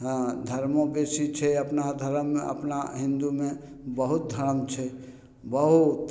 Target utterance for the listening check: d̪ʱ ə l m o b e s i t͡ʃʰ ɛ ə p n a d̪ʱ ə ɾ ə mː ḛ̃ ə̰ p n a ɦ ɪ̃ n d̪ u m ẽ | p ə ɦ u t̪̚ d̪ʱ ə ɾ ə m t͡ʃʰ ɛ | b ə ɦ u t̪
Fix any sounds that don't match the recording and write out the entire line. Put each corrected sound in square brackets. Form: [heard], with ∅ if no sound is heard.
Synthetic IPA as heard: d̪ʱ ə [ɾ] m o b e s i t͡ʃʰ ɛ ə p n a d̪ʱ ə ɾ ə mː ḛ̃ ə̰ p n a ɦ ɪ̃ n d̪ u m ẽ | [b] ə ɦ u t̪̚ d̪ʱ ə ɾ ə m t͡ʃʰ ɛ | b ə ɦ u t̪